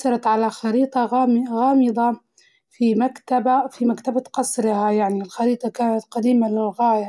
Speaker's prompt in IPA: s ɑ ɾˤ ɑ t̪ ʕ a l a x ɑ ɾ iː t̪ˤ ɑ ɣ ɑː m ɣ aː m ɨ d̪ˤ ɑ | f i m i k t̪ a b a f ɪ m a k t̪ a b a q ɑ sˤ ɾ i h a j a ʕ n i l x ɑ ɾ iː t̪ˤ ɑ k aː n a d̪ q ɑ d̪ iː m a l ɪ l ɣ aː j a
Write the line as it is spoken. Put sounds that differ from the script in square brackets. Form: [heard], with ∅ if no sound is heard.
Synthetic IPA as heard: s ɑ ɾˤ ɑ t̪ ʕ a l a x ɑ ɾ iː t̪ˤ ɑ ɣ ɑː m ɣ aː m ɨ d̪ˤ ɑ | f i m [a] k t̪ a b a f [i] m a k t̪ a b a q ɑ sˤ ɾ [ɪ] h a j a ʕ n i l x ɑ ɾ iː t̪ˤ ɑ k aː n a [t̪] q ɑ d̪ iː m a l ɪ l ɣ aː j a